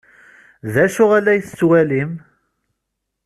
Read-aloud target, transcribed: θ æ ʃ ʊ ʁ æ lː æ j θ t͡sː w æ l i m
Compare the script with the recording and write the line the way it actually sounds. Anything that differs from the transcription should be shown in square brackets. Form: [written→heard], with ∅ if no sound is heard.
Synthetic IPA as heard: [θ→ð] æ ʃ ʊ ʁ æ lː æ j θ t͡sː w æ l i m